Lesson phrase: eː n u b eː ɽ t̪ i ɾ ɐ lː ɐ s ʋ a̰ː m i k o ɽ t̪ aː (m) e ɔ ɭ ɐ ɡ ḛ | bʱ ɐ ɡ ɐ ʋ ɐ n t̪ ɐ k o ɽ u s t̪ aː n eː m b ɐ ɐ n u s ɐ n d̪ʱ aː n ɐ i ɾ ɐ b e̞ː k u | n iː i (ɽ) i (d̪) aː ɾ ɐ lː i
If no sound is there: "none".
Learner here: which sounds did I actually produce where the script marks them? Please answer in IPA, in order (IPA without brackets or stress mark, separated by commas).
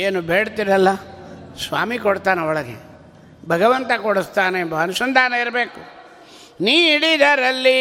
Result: n, ɽ, d̪